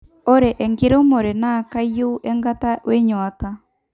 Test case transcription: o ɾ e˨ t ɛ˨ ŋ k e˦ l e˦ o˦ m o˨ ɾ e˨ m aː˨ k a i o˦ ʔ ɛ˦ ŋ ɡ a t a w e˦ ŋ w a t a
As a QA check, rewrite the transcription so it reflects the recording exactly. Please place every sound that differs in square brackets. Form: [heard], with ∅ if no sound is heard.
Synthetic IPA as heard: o ɾ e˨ [ʔ] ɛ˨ ŋ [ɡ] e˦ [ɾ] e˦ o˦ m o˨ ɾ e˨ [n] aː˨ k a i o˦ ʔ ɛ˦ ŋ ɡ a t a w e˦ [ɲ] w a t a